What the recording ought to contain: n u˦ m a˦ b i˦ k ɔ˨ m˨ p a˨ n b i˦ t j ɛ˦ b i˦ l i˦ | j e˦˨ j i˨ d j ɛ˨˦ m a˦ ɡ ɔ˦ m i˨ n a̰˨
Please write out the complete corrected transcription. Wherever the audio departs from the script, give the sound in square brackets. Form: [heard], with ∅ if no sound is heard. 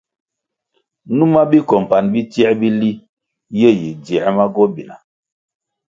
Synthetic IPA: n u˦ m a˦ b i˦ k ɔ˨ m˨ p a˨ n b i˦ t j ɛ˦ b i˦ l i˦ | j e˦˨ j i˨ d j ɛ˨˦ m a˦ ɡ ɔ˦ [b] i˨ n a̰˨